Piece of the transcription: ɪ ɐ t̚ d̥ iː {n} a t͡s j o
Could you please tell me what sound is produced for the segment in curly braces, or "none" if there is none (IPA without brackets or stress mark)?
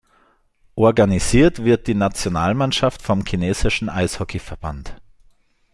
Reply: n